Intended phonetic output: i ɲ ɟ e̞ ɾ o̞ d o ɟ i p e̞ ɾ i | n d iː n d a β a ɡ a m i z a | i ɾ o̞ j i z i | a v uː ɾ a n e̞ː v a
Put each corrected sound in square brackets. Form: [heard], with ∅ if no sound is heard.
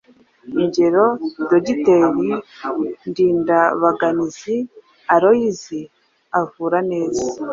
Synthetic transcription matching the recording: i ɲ ɟ e̞ ɾ o̞ d o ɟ i [t] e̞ ɾ i | n d iː n d a β a ɡ a [n] i z [i] | [a] ɾ o̞ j i z i | a v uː ɾ a n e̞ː [z] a